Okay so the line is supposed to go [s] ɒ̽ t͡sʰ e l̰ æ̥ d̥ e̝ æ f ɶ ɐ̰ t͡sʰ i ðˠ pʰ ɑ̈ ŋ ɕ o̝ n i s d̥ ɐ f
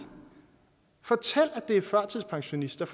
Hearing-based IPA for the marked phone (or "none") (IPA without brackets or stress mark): f